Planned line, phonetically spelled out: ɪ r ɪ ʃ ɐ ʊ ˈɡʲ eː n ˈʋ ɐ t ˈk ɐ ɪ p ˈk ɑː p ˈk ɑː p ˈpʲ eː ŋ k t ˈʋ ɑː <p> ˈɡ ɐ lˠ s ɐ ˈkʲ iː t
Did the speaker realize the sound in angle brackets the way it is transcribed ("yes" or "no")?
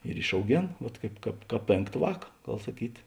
no